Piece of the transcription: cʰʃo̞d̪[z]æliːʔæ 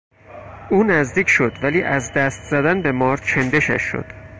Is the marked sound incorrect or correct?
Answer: incorrect